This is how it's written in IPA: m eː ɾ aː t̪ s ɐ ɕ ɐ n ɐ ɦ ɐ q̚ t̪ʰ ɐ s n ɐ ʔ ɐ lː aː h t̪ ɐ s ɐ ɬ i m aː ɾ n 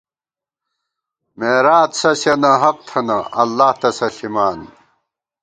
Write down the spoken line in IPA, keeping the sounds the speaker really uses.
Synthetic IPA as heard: m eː ɾ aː t̪ s ɐ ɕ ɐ n ɐ ɦ ɐ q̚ t̪ʰ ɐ n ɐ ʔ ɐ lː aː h t̪ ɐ s ɐ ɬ i m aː n